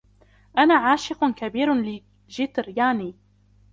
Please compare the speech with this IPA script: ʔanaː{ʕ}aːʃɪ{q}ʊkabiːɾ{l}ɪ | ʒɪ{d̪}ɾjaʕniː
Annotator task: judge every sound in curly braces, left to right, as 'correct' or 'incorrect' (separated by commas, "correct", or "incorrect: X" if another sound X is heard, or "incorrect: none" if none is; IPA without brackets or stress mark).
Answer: correct, correct, correct, incorrect: t̪